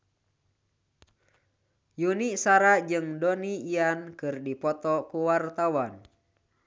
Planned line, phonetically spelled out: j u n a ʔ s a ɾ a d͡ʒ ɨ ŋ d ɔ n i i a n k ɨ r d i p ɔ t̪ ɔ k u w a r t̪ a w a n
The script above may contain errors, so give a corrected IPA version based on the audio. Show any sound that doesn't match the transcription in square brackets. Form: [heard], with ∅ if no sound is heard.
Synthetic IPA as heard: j u n [i] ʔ s a ɾ a d͡ʒ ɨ ŋ d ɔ n i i a n k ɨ r d i p ɔ t̪ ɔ k u w a r t̪ a w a n